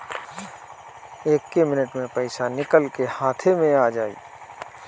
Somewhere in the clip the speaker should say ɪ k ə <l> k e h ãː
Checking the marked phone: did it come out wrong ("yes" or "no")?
no